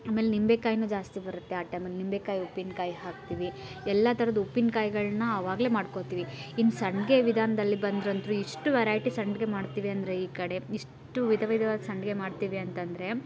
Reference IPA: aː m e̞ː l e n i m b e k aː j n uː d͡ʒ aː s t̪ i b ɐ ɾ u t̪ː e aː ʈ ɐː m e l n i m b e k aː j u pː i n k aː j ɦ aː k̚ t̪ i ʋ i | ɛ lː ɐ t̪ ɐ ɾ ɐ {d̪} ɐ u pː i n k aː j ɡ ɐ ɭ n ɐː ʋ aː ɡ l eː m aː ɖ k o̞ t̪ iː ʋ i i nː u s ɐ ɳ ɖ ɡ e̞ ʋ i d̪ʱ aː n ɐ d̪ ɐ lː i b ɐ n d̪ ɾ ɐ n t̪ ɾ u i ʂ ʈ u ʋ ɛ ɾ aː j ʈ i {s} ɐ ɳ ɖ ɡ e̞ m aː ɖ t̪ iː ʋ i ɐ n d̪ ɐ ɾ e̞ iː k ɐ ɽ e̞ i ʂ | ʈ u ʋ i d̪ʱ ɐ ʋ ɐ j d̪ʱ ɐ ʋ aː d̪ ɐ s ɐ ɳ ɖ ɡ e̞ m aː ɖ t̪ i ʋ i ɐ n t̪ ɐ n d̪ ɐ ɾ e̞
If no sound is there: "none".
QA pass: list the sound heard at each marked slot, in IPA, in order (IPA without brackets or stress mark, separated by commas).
d̪, s